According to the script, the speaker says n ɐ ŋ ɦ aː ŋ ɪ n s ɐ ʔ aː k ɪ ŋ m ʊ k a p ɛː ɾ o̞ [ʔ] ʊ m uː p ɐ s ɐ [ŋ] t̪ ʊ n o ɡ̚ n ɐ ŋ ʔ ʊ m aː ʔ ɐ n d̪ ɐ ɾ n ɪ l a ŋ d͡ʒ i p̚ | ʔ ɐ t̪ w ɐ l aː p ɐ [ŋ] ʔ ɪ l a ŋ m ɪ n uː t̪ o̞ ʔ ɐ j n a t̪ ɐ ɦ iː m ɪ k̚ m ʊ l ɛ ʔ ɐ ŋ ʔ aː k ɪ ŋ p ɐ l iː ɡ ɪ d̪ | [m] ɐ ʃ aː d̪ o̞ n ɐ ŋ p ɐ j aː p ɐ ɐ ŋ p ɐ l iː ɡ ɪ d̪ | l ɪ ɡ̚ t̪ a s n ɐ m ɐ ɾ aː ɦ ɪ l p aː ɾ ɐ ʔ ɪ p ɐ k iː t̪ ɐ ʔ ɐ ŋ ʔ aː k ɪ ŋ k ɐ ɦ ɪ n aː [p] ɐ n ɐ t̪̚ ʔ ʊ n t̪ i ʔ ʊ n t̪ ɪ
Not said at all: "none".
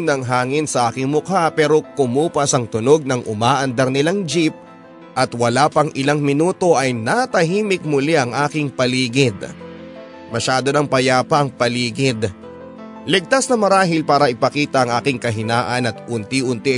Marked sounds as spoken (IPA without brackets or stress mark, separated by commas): k, ŋ, ŋ, m, ʔ